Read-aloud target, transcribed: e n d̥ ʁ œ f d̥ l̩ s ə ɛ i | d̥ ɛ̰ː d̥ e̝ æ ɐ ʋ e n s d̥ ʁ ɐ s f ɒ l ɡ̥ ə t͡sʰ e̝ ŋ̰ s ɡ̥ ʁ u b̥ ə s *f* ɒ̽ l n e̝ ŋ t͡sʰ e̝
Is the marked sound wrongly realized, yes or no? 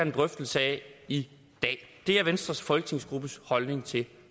yes